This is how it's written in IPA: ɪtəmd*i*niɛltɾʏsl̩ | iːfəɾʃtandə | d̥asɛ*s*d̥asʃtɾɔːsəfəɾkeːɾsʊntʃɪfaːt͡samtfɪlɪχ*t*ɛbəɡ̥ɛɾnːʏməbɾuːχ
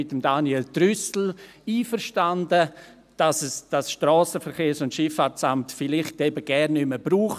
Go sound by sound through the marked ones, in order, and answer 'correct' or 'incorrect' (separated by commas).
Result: incorrect, correct, correct